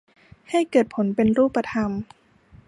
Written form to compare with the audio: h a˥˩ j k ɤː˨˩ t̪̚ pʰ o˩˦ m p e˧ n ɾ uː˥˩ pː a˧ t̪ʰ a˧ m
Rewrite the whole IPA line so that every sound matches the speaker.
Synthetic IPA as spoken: h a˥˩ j k ɤː˨˩ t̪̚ pʰ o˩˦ n p e˧ n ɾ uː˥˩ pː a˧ t̪ʰ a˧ m

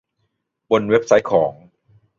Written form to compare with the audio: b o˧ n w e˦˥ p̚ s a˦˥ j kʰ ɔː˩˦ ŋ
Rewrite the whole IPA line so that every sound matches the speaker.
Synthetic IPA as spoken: b o˧ n w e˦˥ p̚ s a˦˥ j kʰ ɔː˩˦ ŋ

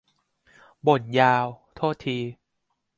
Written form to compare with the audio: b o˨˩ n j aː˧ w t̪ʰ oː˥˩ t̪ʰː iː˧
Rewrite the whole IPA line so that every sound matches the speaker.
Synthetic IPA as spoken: b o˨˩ n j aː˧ w t̪ʰ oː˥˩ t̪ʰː iː˧

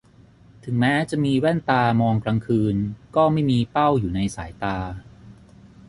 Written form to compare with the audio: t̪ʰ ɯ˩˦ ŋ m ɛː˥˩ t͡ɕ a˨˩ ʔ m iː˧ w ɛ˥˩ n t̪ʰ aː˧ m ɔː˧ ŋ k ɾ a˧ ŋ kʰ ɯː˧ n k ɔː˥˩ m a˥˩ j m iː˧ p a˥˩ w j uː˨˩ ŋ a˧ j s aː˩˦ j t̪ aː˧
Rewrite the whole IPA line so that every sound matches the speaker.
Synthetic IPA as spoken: t̪ʰ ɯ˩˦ ŋ m ɛː˦˥ t͡ɕ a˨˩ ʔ m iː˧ w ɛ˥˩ n t̪ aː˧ m ɔː˧ ŋ k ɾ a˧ ŋ kʰ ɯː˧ n k ɔː˥˩ m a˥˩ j m iː˧ p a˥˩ w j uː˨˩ n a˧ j s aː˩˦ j t̪ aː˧

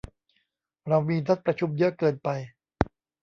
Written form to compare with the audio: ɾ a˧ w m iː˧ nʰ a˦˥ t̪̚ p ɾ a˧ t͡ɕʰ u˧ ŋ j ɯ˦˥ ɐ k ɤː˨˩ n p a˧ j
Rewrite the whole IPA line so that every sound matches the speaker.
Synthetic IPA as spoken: ɾ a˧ w m iː˧ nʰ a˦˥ t̪̚ p ɾ a˧ t͡ɕʰ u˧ m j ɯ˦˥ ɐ k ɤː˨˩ n p a˧ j

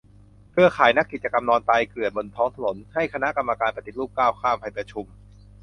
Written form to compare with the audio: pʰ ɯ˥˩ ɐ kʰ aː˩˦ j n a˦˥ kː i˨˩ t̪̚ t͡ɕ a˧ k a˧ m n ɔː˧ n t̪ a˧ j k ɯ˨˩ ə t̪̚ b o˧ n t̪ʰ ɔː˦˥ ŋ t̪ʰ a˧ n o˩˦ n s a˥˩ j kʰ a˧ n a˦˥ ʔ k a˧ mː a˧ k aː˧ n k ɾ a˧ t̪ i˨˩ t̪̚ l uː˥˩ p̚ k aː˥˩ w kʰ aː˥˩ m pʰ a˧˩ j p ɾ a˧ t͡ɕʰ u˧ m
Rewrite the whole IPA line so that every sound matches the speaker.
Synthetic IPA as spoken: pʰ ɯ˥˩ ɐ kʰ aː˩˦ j n a˦˥ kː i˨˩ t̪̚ t͡ɕ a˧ k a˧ m n ɔː˧ n t̪ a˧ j k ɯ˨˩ ə t̪̚ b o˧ n t̪ʰ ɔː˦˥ ŋ t̪ʰ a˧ n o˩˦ n h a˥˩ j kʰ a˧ n a˦˥ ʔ k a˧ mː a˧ k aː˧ n p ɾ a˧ t̪ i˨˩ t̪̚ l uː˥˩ p̚ k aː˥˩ w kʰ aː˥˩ m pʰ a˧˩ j p ɾ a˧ t͡ɕʰ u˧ m

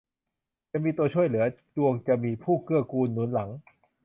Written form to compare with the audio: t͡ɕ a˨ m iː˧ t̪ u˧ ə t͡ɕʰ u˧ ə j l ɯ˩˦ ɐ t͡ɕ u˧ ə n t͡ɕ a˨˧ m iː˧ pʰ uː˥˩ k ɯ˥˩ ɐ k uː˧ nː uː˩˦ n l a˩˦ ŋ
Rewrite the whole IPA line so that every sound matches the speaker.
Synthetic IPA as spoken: t͡ɕ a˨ m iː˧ t̪ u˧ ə t͡ɕʰ u˥˩ ə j l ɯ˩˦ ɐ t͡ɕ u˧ ə ŋ t͡ɕ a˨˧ m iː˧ pʰ uː˥˩ k ɯ˥˩ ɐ k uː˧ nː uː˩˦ n l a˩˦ ŋ

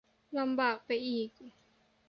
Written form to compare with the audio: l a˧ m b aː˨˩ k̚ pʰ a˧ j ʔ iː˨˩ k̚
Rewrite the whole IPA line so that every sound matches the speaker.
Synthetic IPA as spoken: l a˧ m b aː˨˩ k̚ p a˧ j ʔ iː˨˩ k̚

